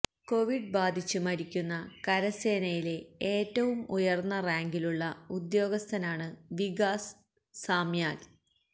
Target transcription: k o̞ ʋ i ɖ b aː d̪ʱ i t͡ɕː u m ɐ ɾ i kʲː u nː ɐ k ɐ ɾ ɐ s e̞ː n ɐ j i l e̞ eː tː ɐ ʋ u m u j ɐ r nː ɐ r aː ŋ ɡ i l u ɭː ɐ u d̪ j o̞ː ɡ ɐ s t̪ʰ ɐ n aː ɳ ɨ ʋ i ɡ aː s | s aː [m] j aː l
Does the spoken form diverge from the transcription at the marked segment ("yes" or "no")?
no